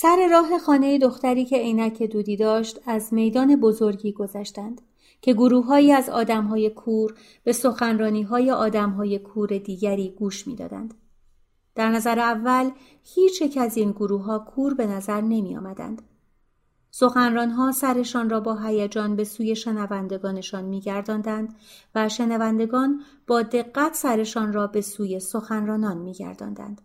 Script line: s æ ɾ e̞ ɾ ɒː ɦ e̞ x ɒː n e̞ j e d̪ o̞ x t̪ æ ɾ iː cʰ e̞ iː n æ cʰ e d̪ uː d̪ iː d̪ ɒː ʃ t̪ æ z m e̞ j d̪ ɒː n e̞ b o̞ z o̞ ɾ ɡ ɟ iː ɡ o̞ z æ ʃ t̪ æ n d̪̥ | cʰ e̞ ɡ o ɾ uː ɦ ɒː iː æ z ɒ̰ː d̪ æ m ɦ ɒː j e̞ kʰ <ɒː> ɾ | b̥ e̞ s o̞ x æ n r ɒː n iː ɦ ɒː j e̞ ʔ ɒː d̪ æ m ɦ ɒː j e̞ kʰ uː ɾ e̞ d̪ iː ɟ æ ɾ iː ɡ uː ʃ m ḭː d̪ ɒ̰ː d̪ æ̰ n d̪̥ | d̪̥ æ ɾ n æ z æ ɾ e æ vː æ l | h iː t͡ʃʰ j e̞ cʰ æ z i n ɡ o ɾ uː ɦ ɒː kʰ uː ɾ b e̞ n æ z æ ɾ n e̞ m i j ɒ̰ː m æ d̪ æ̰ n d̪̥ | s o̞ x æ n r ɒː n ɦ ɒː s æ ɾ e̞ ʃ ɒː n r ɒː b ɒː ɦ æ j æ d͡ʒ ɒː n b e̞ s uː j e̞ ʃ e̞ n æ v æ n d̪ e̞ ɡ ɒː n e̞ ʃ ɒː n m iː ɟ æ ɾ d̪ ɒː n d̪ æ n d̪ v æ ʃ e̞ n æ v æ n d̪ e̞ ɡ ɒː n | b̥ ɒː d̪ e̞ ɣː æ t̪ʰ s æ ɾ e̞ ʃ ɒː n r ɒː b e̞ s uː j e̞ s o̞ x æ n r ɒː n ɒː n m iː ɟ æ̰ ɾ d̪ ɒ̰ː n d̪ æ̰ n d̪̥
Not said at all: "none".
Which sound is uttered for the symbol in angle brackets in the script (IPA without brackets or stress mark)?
uː